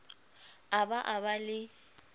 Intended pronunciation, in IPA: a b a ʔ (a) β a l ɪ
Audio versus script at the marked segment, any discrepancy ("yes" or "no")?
no